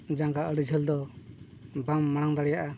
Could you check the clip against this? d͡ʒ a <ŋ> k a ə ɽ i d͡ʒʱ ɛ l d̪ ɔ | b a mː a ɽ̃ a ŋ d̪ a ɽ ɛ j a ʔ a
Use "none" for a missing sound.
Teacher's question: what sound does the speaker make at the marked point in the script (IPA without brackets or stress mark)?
ŋ